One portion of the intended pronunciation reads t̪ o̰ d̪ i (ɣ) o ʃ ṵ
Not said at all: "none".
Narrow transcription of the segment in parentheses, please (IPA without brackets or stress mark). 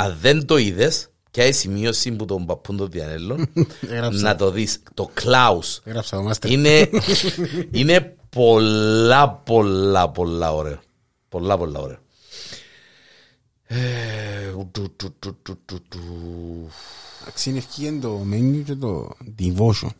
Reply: v